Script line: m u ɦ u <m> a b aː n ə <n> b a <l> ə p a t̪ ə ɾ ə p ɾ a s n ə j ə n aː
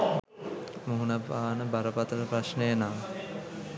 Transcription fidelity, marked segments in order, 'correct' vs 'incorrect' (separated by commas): incorrect, incorrect, incorrect